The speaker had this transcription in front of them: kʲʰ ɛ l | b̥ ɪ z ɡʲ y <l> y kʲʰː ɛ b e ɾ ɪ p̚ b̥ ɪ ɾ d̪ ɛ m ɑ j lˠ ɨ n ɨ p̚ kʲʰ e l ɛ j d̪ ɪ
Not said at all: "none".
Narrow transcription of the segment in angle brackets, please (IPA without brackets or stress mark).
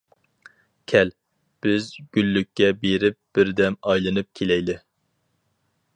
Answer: lː